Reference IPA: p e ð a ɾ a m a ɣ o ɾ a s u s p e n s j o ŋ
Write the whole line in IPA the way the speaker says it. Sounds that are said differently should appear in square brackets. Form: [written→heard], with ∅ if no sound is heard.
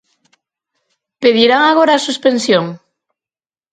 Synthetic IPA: p e ð [a→i] ɾ a [m→ŋ] a ɣ o ɾ a s u s p e n s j o ŋ

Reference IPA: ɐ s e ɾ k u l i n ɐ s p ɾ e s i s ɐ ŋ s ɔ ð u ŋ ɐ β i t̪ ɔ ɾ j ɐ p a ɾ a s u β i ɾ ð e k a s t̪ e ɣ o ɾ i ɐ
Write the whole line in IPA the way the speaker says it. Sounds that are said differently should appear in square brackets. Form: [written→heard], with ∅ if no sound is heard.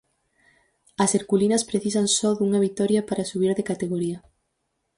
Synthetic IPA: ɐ s e ɾ k u l i n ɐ s p ɾ e [s→θ] i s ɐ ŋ s ɔ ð u ŋ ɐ β i t̪ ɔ ɾ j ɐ p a ɾ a s u β i ɾ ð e k a [s→∅] t̪ e ɣ o ɾ i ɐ

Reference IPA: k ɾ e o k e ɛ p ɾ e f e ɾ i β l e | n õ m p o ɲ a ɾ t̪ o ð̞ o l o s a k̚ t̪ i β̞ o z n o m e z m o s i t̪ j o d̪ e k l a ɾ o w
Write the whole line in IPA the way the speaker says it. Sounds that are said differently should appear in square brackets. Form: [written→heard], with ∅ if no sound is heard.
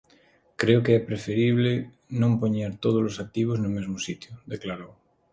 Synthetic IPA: k ɾ e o k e ɛ p ɾ e f e ɾ i β l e | n õ m p o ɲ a ɾ t̪ o ð̞ o l o s a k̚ t̪ i β̞ o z n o m e z m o s i t̪ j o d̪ e k l a ɾ o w

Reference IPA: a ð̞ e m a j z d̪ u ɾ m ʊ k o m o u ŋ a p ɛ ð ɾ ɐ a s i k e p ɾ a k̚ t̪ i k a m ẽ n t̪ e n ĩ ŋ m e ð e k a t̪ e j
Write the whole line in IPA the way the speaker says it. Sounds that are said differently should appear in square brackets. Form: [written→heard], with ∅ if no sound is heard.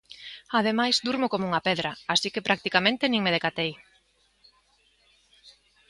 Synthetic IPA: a ð̞ e m a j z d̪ u ɾ m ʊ k o m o u ŋ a p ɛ ð ɾ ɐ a s i k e p ɾ a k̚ t̪ i k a m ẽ n t̪ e n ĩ ŋ m e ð e k a t̪ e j

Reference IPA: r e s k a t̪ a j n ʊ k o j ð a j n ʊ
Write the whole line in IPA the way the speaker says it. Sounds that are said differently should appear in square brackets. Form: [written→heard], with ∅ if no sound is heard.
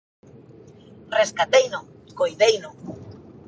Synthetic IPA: r e s k a t̪ [a→e] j n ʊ k o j ð [a→e] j n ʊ

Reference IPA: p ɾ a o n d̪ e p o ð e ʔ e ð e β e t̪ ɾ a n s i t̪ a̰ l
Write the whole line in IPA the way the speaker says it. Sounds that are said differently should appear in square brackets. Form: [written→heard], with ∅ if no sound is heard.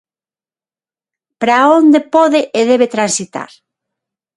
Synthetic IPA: p ɾ a o n d̪ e p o ð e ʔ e ð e β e t̪ ɾ a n s i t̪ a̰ [l→ɾ]

